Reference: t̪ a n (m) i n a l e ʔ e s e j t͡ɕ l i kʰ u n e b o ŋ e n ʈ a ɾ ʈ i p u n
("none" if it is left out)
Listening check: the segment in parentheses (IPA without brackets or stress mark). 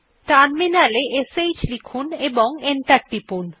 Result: m